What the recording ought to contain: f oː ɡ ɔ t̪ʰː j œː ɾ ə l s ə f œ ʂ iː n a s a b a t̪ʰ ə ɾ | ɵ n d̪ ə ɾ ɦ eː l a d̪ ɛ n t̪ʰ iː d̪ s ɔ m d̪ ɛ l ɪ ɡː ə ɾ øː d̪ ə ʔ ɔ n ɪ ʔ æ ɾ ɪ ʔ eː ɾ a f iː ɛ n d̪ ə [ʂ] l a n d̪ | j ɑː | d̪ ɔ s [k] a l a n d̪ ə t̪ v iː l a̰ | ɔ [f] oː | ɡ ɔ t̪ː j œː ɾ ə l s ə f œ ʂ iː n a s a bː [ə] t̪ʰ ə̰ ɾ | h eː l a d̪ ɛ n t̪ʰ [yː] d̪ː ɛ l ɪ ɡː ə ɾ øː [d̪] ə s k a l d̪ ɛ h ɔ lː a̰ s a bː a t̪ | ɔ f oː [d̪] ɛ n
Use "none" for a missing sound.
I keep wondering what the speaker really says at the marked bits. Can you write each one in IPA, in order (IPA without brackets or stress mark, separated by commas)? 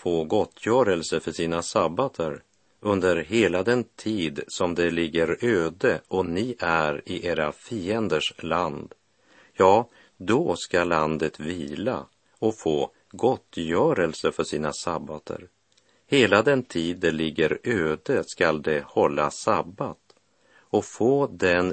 ʂ, k, f, a, iː, d̪, d̪